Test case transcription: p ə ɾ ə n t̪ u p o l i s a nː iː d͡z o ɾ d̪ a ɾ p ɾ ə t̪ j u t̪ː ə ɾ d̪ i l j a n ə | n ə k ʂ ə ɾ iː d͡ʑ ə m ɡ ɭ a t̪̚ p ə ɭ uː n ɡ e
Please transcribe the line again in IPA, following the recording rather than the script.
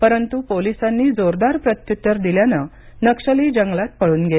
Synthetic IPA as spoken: p ə ɾ ə n t̪ u p o l i s a nː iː d͡z o ɾ d̪ a ɾ p ɾ ə t̪ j u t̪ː ə ɾ d̪ i l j a n ə | n ə k ʂ ə l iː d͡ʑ ə ŋ ɡ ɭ a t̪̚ p ə ɭ uː n ɡ e